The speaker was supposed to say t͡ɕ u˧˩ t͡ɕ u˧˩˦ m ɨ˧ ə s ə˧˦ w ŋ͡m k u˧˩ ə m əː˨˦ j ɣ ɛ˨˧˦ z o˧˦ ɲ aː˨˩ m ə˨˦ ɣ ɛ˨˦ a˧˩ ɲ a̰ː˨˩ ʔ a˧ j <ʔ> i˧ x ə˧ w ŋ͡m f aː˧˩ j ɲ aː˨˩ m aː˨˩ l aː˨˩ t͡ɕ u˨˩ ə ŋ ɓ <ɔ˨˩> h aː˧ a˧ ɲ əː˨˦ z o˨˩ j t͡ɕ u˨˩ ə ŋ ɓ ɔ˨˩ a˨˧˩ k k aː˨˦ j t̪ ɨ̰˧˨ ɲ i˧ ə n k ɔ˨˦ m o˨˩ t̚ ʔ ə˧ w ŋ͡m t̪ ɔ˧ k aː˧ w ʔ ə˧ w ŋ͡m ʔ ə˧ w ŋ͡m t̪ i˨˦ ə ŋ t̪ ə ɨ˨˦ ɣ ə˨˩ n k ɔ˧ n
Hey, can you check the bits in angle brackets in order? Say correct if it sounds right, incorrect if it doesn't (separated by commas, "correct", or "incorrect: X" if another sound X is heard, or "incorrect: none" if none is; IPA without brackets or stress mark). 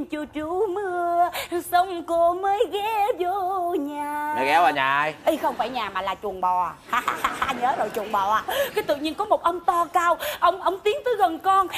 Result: correct, correct